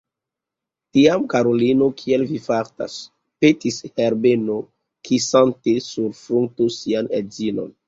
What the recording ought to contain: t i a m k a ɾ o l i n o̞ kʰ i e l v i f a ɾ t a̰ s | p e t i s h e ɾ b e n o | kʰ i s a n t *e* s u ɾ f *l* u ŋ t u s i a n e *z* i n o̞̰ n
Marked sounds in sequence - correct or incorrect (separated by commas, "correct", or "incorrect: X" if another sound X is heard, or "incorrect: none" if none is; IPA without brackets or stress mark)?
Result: correct, incorrect: ɾ, correct